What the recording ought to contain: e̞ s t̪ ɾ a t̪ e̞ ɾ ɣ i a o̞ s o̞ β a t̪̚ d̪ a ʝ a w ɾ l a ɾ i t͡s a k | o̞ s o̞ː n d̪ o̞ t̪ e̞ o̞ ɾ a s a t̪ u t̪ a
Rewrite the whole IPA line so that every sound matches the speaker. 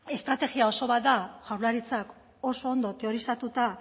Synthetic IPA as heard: e̞ s t̪ ɾ a t̪ e̞ ɣ i a o̞ s o̞ β a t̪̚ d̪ a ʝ a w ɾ l a ɾ i t͡s a k | o̞ s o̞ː n d̪ o̞ t̪ e̞ o̞ ɾ i s a t̪ u t̪ a